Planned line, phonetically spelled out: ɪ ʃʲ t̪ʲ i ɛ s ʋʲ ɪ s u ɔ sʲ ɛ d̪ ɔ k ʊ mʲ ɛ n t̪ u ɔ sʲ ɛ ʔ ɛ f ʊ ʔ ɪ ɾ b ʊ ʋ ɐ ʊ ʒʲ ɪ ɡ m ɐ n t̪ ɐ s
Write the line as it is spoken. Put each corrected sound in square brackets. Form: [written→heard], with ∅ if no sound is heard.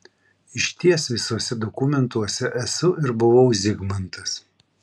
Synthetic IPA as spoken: ɪ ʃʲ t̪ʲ i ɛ s ʋʲ ɪ s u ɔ sʲ ɛ d̪ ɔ k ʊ mʲ ɛ n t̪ u ɔ sʲ ɛ ʔ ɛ [f→s] ʊ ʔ ɪ ɾ b ʊ ʋ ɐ ʊ [ʒʲ→zʲ] ɪ ɡ m ɐ n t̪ ɐ s